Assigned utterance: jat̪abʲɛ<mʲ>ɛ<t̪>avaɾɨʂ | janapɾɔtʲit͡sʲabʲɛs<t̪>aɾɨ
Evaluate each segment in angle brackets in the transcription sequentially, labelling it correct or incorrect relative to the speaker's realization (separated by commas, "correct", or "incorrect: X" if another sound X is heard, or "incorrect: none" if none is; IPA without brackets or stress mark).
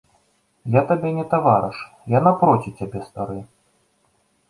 incorrect: nʲ, correct, correct